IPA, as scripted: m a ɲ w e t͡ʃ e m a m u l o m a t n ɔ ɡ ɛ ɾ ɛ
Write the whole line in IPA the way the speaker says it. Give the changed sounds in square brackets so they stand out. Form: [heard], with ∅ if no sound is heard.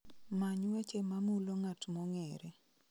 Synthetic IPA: m a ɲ w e t͡ʃ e m a m u l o [ŋ] a t [m] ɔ [ŋ] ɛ ɾ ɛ